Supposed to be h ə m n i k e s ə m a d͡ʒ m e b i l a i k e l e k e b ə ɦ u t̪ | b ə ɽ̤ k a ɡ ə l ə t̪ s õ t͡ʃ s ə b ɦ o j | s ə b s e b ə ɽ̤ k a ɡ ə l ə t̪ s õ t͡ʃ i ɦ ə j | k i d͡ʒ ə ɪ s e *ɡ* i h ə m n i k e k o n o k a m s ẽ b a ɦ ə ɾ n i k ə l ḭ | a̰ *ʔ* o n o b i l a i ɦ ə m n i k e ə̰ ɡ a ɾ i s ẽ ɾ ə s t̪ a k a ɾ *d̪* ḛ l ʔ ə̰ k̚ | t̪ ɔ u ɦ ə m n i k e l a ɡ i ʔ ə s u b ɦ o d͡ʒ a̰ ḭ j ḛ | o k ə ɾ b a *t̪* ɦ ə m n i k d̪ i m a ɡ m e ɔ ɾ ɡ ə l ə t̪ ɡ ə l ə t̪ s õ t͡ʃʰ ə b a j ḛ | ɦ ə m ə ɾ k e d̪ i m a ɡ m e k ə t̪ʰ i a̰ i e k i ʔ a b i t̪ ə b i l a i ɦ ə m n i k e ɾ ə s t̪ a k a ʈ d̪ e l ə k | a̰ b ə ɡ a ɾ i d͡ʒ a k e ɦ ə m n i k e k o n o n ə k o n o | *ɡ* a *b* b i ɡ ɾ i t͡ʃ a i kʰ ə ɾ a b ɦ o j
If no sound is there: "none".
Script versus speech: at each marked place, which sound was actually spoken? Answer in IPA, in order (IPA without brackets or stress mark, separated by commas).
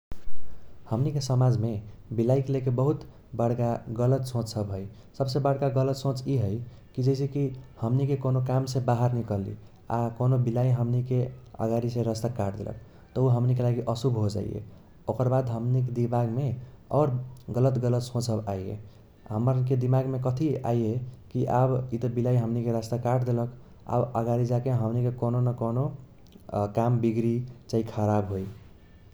k, k, d̪, d̪, k, m